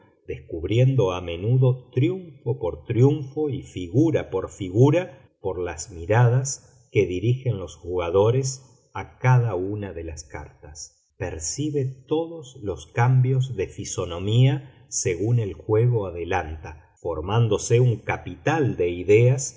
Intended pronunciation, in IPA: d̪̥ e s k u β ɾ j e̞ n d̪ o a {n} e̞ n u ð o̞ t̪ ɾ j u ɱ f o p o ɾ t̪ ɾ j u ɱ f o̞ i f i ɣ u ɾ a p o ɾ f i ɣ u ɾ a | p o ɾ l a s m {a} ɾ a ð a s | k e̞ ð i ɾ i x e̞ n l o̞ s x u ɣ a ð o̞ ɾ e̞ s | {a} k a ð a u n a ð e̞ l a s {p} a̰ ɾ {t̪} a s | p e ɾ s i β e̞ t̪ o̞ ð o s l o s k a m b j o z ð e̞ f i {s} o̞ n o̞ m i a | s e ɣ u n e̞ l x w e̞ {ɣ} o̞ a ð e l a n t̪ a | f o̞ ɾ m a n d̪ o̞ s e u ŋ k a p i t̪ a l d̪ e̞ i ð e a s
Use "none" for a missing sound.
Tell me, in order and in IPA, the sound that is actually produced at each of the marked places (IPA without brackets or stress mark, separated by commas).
m, i, a, k, t̪, s, ɣ